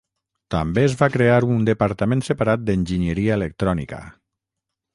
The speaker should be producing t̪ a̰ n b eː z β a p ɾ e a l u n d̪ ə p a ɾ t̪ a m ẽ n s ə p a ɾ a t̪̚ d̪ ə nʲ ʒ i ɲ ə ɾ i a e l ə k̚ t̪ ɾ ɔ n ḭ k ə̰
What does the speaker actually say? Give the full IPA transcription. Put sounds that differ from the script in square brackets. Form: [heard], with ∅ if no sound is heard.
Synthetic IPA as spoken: t̪ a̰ [m] b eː z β a [k] ɾ e a [ɾ] u n d̪ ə p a ɾ t̪ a m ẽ n s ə p a ɾ a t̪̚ d̪ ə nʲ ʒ i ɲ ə ɾ i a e l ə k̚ t̪ ɾ ɔ n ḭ k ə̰